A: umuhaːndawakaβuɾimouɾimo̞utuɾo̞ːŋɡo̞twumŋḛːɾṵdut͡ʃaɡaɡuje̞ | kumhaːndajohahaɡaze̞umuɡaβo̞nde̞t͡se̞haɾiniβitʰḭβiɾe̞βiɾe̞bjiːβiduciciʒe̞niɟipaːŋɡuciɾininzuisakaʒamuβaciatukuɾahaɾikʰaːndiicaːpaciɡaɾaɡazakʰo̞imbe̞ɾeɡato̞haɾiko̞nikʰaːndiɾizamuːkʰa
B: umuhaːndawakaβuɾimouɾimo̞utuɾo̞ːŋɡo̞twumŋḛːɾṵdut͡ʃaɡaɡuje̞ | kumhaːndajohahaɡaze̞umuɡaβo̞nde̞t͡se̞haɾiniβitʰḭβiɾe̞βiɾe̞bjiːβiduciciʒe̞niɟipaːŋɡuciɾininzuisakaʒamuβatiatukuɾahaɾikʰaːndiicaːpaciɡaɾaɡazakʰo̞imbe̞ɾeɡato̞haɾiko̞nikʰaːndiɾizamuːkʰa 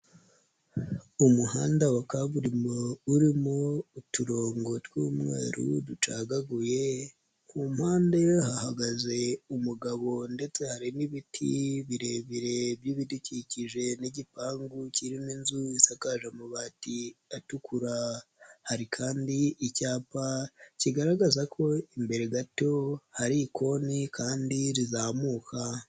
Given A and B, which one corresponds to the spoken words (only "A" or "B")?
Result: B